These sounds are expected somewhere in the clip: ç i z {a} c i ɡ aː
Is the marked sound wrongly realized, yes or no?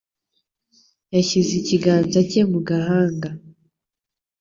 yes